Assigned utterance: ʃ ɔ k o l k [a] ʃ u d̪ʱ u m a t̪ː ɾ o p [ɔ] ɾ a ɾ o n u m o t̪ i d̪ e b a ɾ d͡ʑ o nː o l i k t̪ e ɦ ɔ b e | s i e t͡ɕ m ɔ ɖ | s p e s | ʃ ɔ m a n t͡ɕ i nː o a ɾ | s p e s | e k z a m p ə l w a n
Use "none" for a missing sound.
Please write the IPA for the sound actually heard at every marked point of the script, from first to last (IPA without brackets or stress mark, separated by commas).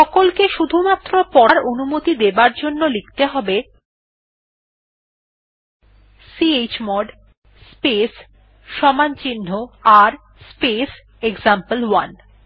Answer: e, ɔ